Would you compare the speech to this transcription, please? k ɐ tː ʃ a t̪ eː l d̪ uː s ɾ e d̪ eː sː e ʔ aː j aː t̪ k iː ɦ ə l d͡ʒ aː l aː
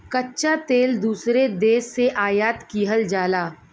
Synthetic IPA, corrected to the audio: k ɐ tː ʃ a t̪ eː l d̪ uː s ɾ e d̪ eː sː e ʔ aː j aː t̪ k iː ɦ ə l d͡ʒ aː l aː